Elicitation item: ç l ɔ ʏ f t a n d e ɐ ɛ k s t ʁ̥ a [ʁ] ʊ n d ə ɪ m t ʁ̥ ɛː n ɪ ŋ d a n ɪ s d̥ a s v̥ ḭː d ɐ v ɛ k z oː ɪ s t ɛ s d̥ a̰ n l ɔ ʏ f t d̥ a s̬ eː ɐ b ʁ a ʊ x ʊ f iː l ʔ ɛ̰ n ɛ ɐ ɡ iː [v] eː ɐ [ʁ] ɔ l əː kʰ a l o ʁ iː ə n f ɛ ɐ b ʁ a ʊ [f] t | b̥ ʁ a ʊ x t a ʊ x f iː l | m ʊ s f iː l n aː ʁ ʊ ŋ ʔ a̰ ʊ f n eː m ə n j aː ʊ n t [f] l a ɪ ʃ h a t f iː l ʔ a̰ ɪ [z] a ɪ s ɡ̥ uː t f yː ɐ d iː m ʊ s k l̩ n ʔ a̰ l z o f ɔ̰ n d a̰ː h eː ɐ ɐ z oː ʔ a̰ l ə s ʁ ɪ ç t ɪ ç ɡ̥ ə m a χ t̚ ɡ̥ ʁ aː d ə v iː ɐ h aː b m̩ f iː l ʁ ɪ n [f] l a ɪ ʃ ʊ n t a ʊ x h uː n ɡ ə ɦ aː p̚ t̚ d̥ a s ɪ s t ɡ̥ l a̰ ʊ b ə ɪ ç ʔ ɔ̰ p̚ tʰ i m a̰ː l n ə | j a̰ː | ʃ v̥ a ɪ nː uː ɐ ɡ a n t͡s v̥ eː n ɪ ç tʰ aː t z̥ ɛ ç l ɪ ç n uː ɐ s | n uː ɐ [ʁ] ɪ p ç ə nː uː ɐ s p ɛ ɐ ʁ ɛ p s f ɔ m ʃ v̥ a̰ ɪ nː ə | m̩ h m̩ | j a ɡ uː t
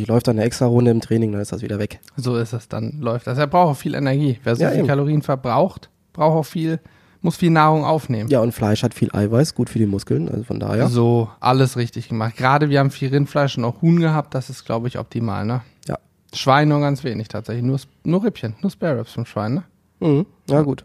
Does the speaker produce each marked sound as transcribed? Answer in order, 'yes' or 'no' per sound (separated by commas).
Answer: yes, yes, no, no, yes, no, yes, yes